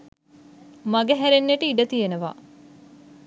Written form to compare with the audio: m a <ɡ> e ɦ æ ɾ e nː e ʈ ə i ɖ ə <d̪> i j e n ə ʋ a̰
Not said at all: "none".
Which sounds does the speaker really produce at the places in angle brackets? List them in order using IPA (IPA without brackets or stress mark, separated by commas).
ɡ, t̪